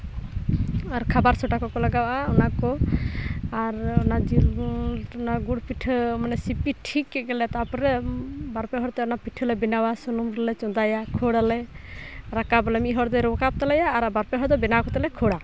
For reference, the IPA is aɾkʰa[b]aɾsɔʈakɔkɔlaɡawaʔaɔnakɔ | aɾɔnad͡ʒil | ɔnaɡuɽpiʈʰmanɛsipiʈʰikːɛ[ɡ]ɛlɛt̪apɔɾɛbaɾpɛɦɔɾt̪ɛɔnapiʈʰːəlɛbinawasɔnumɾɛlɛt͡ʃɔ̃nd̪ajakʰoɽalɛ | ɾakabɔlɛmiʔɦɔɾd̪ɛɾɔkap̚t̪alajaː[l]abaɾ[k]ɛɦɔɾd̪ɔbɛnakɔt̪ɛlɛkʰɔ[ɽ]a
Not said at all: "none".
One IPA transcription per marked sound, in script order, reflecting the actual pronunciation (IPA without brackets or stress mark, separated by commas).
b, ɡ, ɾ, p, ɽ